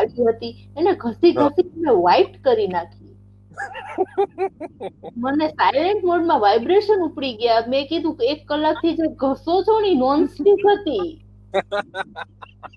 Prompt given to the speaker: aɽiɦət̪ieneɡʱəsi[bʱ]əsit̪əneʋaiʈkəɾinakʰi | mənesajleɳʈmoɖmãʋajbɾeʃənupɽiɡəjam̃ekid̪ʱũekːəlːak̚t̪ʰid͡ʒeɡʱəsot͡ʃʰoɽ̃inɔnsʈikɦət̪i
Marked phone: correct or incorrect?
incorrect